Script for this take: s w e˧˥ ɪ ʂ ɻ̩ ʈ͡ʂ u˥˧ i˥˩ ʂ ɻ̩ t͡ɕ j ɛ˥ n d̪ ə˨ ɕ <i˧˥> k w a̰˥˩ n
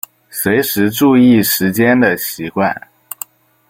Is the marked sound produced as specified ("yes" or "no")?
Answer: yes